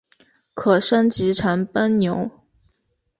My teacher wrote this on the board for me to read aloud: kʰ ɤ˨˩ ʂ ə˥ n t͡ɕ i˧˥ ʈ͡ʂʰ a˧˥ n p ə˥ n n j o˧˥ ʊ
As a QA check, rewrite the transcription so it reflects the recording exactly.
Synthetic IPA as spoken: kʰ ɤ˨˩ ʂ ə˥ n t͡ɕ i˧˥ ʈ͡ʂʰ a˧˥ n p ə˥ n n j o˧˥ ʊ